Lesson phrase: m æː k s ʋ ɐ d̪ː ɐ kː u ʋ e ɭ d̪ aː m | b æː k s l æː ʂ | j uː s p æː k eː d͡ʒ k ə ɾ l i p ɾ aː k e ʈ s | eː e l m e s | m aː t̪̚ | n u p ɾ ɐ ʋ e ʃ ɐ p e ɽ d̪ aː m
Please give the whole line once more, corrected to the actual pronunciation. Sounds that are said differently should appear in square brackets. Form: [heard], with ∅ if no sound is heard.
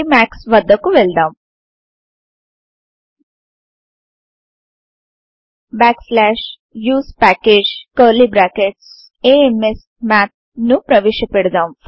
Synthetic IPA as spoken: m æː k s ʋ ɐ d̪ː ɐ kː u ʋ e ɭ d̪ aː m | b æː k s l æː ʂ | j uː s p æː k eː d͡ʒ k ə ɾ l i [b] ɾ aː k e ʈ s | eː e [∅] m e s | m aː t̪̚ | n u p ɾ ɐ ʋ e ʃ ɐ p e ɽ d̪ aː m

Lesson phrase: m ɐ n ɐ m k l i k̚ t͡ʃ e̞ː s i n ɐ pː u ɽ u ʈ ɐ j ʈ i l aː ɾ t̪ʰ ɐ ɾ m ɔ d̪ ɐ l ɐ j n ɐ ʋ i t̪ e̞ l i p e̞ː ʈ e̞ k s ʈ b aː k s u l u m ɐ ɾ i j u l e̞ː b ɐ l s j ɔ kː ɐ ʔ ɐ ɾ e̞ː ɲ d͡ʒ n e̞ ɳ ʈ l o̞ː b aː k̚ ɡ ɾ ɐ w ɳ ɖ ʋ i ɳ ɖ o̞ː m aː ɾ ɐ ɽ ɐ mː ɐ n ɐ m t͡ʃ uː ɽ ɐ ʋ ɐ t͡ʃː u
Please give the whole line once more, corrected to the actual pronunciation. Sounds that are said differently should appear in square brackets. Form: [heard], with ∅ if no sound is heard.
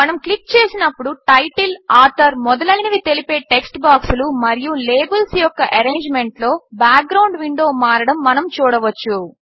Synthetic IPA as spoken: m ɐ n ɐ m k l i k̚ t͡ʃ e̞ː s i n ɐ pː u ɽ u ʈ ɐ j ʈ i l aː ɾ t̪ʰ ɐ ɾ m ɔ d̪ ɐ l ɐ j n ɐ ʋ i t̪ e̞ l i p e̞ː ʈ e̞ k s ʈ b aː k s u l u m ɐ ɾ i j u l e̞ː b ɐ l s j ɔ kː ɐ ʔ ɐ ɾ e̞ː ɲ d͡ʒ [m] e̞ ɳ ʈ l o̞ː b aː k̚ ɡ ɾ ɐ w ɳ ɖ ʋ i ɳ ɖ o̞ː m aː ɾ ɐ ɽ ɐ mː ɐ n ɐ m t͡ʃ uː ɽ ɐ ʋ ɐ t͡ʃː u

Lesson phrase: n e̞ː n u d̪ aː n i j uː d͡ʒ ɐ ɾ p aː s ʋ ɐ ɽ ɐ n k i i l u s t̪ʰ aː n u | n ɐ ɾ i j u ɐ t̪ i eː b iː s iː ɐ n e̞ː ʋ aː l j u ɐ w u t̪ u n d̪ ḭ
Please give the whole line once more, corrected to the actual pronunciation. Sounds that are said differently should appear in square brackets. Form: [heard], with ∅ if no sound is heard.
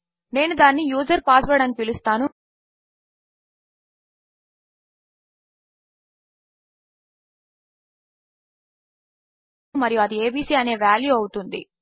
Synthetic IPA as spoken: n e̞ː n u d̪ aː [nː] i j uː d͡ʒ ɐ ɾ p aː s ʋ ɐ ɽ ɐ n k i i l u s [t̪] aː n u | [m] ɐ ɾ i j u ɐ [d̪] i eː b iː s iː ɐ n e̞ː ʋ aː l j u ɐ w u t̪ u n d̪ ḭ

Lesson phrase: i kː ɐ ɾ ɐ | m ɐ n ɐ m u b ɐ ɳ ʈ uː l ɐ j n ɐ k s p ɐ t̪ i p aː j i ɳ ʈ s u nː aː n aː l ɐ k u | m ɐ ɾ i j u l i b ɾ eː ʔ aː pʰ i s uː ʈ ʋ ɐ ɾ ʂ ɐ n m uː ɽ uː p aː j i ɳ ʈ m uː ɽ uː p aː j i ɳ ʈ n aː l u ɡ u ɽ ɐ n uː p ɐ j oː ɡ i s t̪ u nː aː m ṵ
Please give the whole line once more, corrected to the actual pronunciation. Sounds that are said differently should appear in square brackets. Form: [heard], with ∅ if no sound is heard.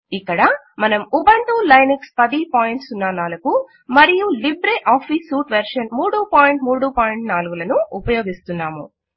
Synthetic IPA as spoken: i kː ɐ [ɽ] ɐ | m ɐ n ɐ m u b ɐ ɳ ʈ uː l ɐ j n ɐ k s p ɐ [d̪] i p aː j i ɳ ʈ s u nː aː n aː l ɐ k u | m ɐ ɾ i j u l i b ɾ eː ʔ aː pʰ i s uː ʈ ʋ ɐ ɾ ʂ ɐ n m uː ɽ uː p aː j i ɳ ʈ m uː ɽ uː p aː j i ɳ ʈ n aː l u ɡ u [l] ɐ n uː p ɐ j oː ɡ i s t̪ u nː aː m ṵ

